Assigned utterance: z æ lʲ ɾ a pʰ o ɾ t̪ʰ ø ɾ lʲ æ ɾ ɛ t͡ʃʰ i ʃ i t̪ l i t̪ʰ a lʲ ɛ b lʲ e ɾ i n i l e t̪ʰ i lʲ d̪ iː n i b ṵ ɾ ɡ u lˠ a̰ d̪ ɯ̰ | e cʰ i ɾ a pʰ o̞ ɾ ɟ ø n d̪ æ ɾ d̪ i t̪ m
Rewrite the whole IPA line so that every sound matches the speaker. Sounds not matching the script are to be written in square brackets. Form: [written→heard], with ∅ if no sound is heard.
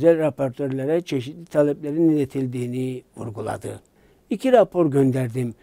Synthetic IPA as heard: z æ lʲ ɾ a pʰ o ɾ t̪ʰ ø ɾ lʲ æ ɾ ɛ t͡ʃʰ [i→e] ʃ i t̪ l i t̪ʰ a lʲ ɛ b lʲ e ɾ i n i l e t̪ʰ i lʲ d̪ iː n i [b→v] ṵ ɾ ɡ u lˠ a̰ d̪ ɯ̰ | [e→i] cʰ i ɾ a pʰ o̞ ɾ ɟ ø n d̪ æ ɾ d̪ i [t̪→∅] m

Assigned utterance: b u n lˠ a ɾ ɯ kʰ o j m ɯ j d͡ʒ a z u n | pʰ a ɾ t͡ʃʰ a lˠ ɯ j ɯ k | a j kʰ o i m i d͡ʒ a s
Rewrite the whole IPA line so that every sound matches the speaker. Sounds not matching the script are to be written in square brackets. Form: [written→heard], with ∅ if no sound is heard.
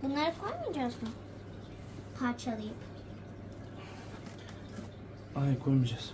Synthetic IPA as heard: b u n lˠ a ɾ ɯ kʰ o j m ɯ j d͡ʒ a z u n | pʰ a ɾ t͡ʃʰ a lˠ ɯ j ɯ [k→p] | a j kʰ o [i→j] m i d͡ʒ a s

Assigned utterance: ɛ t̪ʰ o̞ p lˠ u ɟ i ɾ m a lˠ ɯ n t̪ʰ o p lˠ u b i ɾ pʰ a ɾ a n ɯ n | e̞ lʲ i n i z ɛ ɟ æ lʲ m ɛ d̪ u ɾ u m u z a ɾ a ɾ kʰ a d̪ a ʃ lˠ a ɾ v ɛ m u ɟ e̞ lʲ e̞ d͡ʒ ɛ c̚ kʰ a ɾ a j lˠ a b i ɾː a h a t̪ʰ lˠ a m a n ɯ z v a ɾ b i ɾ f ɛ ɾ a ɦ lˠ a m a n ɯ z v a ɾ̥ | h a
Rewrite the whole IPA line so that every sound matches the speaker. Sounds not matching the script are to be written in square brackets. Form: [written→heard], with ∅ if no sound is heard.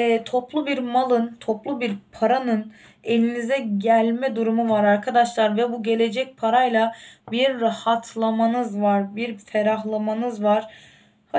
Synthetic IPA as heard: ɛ t̪ʰ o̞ p lˠ u [ɟ→b] i ɾ m a lˠ ɯ n t̪ʰ o p lˠ u b i ɾ pʰ a ɾ a n ɯ n | e̞ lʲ i n i z ɛ ɟ æ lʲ m ɛ d̪ u ɾ u m u [z→v] a ɾ a ɾ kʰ a d̪ a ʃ lˠ a ɾ v ɛ [m→b] u ɟ e̞ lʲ e̞ d͡ʒ ɛ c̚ [kʰ→pʰ] a ɾ a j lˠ a b i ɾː a h a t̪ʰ lˠ a m a n ɯ z v a ɾ b i ɾ f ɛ ɾ a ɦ lˠ a m a n ɯ z v a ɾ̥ | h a

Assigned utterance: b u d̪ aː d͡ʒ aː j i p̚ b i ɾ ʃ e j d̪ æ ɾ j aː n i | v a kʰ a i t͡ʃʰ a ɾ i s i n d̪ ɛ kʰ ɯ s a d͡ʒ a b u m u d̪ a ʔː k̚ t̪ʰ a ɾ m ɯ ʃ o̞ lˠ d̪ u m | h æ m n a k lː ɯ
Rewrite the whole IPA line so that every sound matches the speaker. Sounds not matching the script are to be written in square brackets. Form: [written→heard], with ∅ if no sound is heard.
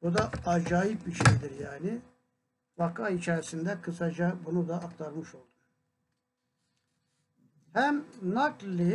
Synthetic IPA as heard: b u d̪ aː d͡ʒ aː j i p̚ b i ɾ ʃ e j d̪ [æ→i] ɾ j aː n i | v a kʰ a i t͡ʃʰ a ɾ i s i n d̪ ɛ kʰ ɯ s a d͡ʒ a b u [m→n] u d̪ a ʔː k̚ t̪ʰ a ɾ m ɯ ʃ o̞ lˠ d̪ u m | h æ m n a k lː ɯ

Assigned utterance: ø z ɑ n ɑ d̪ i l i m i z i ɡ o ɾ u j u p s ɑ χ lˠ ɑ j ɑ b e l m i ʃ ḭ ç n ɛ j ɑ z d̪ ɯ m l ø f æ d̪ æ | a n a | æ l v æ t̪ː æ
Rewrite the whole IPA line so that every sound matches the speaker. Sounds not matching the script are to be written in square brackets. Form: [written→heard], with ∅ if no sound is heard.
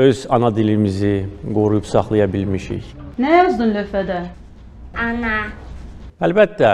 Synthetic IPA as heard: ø z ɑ n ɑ d̪ i l i m i z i ɡ o ɾ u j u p s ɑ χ lˠ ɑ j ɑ b [e→i] l m i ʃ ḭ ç n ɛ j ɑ z d̪ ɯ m l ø f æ d̪ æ | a n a | æ l [v→b] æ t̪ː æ

